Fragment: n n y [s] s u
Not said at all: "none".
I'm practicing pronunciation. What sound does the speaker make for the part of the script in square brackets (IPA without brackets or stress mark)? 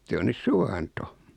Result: s